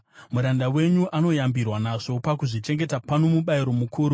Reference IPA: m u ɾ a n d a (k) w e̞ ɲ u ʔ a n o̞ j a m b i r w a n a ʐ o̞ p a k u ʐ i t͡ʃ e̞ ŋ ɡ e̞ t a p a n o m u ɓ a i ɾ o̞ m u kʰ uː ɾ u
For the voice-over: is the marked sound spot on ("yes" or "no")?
no